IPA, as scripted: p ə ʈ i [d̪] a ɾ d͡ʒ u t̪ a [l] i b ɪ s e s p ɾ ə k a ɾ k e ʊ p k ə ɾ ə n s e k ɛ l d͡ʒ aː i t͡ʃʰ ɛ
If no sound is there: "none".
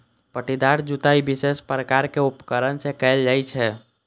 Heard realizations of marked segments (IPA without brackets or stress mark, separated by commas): d̪, none